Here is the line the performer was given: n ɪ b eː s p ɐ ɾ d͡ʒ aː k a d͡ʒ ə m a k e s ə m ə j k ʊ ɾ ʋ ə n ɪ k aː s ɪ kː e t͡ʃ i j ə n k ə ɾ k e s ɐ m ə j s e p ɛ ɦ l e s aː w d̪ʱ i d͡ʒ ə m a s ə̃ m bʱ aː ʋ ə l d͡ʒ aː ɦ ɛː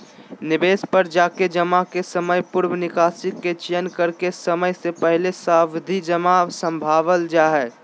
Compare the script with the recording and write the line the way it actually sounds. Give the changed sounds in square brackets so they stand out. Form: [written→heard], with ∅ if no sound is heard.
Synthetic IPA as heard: n ɪ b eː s p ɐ ɾ d͡ʒ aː k [a→e] d͡ʒ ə m a k e s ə m ə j [k→p] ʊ ɾ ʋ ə n ɪ k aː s ɪ kː e t͡ʃ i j ə n k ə ɾ k e s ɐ m ə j s e p ɛ ɦ l e s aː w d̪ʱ i d͡ʒ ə m a s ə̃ m bʱ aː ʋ ə l d͡ʒ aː ɦ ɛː